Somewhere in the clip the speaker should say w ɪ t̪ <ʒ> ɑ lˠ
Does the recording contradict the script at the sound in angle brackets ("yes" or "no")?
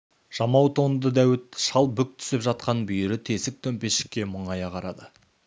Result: yes